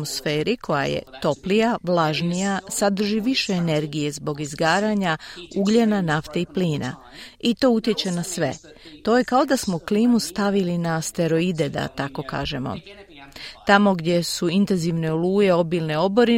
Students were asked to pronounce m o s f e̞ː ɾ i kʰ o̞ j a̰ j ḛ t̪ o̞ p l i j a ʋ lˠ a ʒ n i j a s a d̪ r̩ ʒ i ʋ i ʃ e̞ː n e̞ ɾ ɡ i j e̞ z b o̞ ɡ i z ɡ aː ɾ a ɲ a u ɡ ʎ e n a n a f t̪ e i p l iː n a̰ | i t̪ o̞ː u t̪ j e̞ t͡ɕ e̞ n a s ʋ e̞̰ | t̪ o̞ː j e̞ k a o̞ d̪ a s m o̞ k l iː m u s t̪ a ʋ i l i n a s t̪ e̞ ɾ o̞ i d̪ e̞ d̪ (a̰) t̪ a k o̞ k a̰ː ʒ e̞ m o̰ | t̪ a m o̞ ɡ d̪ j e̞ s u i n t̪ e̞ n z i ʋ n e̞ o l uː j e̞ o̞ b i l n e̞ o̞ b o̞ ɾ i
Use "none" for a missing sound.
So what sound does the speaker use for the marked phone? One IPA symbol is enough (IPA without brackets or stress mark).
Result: a̰